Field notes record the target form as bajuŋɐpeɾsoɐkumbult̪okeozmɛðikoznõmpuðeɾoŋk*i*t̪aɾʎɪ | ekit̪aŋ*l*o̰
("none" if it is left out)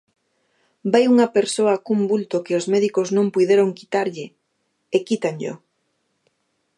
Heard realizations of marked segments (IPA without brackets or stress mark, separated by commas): i, ʎ